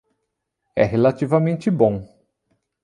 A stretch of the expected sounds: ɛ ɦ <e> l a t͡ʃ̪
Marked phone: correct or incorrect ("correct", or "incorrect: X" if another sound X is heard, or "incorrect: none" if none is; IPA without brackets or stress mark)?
correct